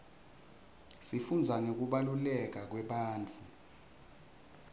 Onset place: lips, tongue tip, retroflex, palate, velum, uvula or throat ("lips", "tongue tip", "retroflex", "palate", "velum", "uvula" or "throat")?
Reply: tongue tip